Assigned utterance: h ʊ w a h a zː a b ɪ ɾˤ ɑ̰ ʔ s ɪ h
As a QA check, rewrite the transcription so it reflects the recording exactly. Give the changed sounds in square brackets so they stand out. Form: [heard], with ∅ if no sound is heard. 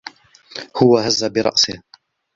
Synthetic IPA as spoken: h ʊ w a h a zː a b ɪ ɾˤ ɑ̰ ʔ s ɪ h